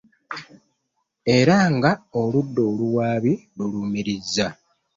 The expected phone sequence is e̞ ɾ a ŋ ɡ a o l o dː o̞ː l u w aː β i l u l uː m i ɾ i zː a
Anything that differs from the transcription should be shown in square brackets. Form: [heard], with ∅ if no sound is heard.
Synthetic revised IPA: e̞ ɾ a ŋ ɡ a o l [u] dː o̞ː l u w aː β i l u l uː m i ɾ i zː a